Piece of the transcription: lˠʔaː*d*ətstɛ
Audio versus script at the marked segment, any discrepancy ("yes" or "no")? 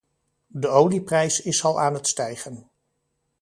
yes